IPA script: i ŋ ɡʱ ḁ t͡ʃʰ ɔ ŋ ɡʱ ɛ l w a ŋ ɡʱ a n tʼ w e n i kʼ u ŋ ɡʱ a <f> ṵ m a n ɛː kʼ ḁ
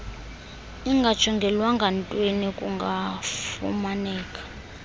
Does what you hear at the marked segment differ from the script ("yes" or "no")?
no